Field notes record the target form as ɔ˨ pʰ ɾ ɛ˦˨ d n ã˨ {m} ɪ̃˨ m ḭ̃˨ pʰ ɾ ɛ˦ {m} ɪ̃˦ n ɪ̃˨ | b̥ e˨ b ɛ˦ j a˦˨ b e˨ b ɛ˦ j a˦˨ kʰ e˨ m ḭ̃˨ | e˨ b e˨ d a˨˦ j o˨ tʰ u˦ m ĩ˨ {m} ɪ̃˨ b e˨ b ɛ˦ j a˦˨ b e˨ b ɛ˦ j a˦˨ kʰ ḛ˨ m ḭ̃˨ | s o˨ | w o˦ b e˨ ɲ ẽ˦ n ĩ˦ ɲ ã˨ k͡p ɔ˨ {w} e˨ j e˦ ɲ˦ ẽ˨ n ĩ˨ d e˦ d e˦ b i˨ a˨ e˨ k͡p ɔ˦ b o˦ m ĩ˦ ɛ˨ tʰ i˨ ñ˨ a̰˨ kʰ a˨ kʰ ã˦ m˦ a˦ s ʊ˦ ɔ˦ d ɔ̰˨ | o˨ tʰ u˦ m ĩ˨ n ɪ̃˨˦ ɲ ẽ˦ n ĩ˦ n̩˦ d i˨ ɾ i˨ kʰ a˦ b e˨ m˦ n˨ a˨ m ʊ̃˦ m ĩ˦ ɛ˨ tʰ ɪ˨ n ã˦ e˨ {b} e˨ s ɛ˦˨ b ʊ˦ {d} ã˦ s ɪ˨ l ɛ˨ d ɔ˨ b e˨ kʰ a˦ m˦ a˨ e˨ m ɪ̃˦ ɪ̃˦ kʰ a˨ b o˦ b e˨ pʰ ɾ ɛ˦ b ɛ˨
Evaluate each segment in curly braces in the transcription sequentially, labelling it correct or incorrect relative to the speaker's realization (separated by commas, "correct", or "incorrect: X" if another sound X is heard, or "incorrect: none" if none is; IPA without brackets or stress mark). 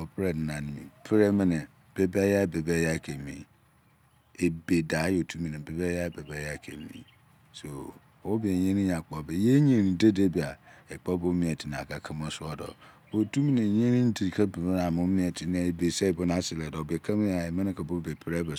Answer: incorrect: n, correct, incorrect: n, incorrect: b, correct, incorrect: n